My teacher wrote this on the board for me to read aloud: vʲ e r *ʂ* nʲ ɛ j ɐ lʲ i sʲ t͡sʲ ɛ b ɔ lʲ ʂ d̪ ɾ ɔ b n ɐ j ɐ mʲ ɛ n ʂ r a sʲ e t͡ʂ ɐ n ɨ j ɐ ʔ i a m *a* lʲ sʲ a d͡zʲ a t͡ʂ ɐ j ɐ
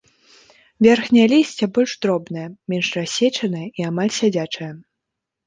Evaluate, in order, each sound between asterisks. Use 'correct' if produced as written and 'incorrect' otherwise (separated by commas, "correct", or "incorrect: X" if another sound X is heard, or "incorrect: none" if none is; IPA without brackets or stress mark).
incorrect: x, correct